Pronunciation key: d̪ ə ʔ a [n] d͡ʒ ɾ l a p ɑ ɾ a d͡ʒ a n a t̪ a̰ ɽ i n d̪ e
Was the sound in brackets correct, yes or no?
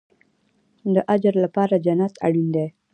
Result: no